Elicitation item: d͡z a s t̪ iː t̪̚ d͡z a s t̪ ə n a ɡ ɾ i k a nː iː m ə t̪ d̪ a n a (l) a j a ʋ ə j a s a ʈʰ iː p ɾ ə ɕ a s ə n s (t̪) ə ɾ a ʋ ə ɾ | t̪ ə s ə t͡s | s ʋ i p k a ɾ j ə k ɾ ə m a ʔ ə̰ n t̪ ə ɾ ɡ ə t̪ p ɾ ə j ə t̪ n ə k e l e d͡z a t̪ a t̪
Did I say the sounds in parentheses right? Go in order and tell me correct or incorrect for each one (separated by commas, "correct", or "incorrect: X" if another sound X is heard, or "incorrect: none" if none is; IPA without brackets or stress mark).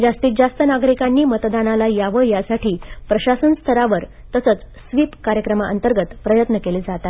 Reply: correct, incorrect: t̪ʰ